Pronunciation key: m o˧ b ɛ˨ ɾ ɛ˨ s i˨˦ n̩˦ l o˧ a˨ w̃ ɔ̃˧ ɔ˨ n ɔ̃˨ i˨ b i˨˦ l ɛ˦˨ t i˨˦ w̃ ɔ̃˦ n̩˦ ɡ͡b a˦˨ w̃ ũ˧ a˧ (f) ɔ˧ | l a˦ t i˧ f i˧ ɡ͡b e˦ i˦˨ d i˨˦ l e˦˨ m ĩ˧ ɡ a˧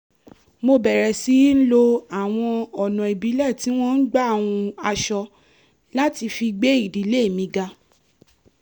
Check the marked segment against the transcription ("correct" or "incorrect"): incorrect